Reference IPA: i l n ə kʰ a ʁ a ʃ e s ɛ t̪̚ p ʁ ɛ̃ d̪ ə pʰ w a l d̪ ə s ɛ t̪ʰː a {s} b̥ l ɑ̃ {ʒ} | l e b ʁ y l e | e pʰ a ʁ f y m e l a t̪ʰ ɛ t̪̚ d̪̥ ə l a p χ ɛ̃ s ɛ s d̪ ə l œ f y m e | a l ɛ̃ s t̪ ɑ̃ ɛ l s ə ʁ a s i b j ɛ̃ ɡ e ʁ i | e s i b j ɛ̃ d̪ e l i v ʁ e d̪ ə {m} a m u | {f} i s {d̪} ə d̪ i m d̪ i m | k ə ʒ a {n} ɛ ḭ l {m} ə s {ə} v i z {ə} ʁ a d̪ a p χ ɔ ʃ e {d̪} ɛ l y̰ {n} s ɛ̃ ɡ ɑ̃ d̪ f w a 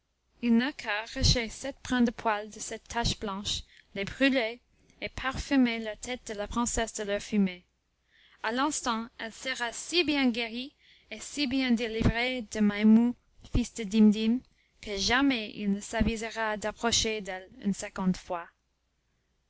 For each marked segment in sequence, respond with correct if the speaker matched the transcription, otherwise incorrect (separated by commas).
incorrect, incorrect, correct, correct, correct, incorrect, incorrect, incorrect, correct, correct, correct